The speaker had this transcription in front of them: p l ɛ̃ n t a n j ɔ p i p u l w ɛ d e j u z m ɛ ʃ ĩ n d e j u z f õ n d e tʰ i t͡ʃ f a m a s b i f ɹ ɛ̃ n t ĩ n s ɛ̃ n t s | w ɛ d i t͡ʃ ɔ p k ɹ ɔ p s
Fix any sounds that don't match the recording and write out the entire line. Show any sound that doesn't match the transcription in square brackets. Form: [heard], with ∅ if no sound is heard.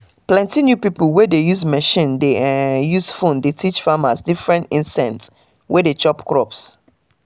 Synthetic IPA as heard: p l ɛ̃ n t [i] n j [u] p i p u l w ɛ d e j u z m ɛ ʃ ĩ n d e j u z f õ n d e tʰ i t͡ʃ f a m a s [d] i f ɹ ɛ̃ n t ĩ n s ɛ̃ n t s | w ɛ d [e] t͡ʃ ɔ p k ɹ ɔ p s